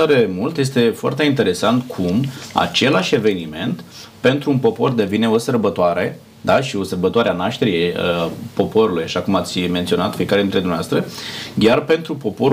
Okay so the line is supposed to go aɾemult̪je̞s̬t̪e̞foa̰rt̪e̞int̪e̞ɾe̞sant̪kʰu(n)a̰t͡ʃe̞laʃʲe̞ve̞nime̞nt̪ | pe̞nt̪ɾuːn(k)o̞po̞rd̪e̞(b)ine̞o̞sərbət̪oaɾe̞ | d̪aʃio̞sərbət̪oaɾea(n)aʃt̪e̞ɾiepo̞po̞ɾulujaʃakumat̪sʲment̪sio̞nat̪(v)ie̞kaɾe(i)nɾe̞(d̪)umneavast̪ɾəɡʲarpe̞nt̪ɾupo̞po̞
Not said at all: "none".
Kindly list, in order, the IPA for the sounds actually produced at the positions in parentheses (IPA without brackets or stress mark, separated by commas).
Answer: m, p, v, n, f, i, d̪